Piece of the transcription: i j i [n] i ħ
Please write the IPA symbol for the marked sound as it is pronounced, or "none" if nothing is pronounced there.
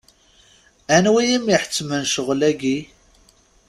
m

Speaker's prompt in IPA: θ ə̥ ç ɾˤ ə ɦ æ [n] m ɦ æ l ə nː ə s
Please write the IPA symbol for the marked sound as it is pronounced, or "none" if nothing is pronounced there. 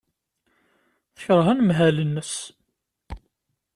n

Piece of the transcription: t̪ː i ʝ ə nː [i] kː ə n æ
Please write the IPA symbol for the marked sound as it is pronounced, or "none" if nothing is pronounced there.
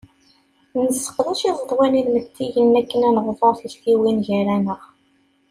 æ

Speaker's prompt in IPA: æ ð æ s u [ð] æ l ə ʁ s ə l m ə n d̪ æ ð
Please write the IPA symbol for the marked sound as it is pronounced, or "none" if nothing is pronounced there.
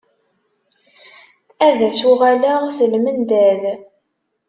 ʁ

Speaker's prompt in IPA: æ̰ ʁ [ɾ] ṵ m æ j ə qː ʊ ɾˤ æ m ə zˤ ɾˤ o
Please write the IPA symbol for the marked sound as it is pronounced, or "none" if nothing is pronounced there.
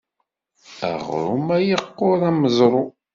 ɾ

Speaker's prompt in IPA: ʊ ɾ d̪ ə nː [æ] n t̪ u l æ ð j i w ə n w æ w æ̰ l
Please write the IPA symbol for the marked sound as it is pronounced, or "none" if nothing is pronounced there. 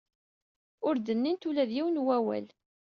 i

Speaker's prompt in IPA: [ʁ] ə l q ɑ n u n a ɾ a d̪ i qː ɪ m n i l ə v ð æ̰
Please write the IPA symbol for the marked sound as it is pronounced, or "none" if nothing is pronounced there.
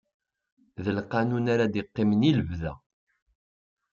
ð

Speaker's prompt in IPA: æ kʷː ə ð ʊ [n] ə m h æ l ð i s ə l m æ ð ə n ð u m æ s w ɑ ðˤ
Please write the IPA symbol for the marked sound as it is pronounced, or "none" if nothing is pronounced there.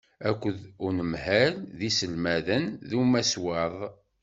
n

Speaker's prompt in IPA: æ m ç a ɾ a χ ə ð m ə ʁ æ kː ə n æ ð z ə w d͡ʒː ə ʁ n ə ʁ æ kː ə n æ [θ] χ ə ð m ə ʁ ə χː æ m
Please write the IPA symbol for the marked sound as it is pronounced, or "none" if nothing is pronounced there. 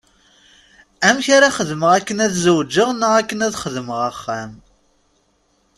ð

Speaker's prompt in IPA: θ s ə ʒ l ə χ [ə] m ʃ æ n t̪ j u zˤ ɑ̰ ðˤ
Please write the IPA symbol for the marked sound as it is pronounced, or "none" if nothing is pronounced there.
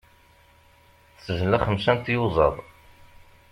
ə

